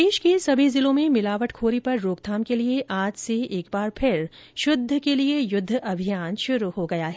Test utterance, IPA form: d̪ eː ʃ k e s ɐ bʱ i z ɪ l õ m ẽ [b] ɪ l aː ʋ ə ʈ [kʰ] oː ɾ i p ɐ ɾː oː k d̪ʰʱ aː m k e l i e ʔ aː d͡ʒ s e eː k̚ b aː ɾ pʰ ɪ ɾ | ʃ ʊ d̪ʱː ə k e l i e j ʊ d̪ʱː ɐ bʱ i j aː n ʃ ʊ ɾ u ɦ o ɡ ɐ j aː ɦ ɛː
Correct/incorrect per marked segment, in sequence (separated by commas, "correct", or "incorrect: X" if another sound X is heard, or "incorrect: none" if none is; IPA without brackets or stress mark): incorrect: m, correct